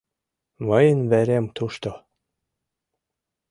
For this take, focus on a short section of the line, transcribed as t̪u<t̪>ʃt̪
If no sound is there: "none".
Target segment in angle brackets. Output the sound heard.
none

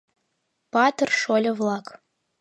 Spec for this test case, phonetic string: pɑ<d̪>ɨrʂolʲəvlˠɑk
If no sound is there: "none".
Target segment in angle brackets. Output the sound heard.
t̪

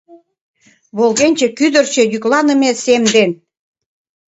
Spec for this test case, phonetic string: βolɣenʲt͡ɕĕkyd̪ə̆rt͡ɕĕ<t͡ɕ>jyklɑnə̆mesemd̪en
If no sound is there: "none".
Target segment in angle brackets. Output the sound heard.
none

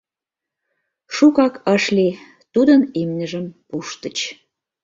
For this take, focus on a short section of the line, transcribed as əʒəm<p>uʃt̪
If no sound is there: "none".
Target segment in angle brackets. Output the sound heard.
p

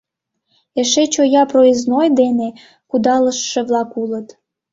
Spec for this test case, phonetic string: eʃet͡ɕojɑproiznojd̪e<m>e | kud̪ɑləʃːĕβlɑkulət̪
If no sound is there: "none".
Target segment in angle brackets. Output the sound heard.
n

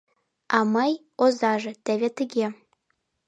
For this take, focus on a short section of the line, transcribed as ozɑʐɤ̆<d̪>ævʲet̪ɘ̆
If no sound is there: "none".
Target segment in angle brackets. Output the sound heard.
t̪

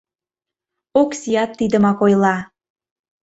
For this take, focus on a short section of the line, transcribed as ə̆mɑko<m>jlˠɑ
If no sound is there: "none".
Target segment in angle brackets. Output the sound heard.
none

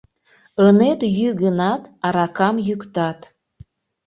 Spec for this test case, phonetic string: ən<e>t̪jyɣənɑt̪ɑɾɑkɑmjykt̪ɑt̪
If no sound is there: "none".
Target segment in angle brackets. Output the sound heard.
e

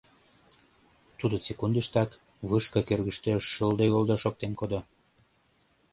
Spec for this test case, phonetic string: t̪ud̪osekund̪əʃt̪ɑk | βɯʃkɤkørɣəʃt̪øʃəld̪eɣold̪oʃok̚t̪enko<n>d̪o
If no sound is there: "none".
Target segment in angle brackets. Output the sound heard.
none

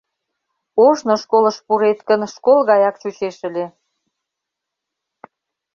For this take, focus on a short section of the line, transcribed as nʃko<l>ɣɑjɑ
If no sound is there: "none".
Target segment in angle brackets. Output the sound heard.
l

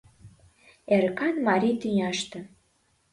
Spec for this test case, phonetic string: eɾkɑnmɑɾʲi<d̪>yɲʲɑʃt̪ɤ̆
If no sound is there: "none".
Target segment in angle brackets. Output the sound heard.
t̪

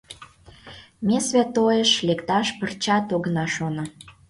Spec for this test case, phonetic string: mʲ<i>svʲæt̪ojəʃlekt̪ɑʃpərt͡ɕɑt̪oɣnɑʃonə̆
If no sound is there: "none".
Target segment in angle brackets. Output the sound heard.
e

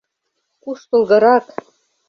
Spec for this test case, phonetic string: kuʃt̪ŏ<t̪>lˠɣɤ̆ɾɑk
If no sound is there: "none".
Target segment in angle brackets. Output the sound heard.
none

